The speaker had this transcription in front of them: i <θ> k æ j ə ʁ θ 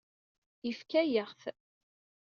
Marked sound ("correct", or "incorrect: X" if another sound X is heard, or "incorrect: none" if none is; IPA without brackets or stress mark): incorrect: f